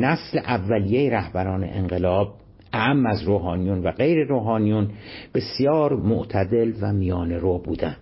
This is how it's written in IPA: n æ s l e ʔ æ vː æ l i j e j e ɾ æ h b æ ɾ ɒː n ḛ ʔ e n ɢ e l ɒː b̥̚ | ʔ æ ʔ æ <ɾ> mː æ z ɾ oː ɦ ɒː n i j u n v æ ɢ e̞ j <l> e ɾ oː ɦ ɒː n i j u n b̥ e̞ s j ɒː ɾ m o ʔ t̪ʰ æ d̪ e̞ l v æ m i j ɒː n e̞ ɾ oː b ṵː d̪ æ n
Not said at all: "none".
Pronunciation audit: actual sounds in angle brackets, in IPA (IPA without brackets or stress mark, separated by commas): none, ɾ